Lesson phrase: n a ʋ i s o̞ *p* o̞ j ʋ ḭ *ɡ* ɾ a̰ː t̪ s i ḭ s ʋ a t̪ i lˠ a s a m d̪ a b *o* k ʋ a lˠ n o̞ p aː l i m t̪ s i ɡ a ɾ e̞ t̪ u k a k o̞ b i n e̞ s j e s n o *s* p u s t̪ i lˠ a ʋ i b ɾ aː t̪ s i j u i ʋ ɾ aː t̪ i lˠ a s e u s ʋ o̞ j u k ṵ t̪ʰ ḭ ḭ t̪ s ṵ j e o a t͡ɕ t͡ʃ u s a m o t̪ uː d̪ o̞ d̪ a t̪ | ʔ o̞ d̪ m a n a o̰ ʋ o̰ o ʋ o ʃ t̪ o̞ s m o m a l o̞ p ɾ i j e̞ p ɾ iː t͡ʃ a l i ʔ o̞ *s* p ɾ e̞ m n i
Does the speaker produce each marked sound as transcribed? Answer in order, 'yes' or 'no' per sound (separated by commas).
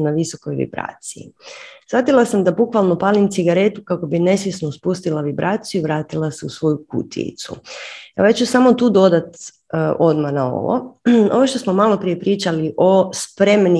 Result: no, no, no, yes, yes